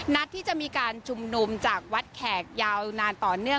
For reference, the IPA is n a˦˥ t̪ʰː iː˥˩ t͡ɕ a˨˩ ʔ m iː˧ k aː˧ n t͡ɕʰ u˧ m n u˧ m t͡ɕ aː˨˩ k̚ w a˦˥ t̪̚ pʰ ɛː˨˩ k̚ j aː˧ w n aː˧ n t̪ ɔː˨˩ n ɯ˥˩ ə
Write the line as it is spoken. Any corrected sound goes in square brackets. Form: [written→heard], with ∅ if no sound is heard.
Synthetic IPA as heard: n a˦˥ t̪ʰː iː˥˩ t͡ɕ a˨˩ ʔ m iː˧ k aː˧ n t͡ɕʰ u˧ m n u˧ m t͡ɕ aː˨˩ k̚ w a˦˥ t̪̚ [pʰ→kʰ] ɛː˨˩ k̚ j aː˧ w n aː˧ n t̪ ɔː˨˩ n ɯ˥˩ ə